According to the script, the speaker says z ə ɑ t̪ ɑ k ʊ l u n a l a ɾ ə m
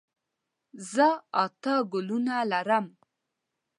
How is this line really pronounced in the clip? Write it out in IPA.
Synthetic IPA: z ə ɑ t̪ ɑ ɡ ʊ l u n a l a ɾ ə m